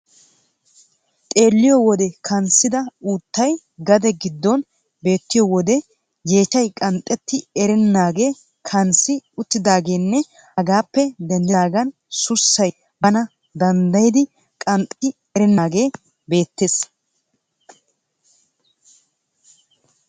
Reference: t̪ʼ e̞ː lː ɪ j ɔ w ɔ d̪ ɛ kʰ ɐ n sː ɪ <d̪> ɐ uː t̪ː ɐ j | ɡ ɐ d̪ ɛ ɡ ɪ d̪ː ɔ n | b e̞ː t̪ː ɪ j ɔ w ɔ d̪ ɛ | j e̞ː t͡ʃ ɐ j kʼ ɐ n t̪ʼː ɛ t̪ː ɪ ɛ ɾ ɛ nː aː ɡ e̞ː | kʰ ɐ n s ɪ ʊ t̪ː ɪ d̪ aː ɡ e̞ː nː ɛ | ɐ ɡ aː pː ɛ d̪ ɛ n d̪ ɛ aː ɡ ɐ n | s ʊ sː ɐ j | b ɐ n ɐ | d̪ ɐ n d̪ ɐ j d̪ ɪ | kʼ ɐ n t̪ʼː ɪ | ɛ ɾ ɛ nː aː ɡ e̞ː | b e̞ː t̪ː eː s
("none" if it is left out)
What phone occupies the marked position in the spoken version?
d̪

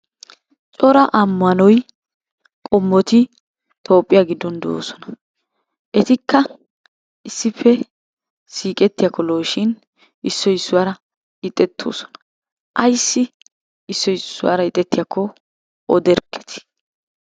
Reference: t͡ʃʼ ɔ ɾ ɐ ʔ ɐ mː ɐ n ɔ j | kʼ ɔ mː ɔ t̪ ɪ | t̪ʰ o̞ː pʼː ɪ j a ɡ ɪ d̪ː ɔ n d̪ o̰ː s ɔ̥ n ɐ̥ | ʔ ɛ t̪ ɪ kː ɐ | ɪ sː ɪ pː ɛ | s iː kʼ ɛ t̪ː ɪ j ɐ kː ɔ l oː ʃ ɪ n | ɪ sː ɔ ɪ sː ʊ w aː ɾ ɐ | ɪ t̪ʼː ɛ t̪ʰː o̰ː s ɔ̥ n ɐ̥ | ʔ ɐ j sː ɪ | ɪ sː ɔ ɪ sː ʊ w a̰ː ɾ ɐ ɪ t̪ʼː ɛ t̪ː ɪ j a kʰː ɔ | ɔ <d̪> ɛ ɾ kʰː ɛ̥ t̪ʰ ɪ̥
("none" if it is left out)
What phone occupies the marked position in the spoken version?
d̪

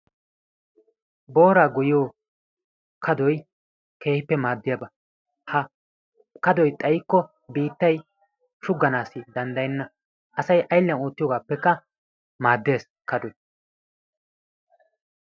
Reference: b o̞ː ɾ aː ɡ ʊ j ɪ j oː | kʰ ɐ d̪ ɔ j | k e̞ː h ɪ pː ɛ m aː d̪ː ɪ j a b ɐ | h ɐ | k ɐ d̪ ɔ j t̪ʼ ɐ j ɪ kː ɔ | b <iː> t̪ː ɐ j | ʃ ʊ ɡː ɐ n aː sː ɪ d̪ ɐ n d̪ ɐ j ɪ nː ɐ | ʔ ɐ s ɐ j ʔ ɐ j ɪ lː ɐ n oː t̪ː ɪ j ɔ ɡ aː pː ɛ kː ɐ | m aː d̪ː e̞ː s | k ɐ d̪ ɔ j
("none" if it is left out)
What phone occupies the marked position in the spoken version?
iː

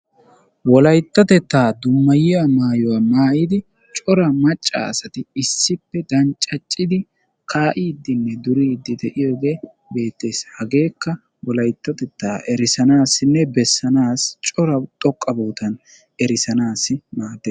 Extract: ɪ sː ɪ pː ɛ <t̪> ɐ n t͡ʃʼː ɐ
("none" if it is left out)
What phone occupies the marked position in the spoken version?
d̪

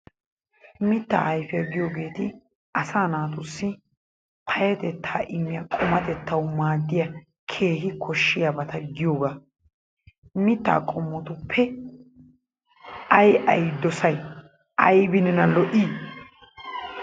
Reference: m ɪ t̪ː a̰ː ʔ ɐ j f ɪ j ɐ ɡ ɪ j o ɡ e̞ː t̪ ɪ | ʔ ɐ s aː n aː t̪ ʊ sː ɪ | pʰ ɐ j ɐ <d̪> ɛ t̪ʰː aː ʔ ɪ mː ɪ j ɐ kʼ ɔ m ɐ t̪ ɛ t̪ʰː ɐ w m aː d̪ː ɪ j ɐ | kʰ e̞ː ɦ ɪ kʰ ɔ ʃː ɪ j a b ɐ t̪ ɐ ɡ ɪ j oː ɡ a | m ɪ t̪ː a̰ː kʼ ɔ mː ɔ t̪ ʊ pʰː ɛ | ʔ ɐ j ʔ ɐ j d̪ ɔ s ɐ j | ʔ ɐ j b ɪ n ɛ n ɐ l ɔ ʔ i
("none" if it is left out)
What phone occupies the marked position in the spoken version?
t̪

